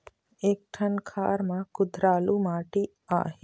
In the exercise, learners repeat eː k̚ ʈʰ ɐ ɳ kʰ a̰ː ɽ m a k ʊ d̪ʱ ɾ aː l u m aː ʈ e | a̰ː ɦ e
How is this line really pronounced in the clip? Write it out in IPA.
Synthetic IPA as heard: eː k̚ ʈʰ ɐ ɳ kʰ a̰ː ɾ m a k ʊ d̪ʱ ɾ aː l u m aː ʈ i | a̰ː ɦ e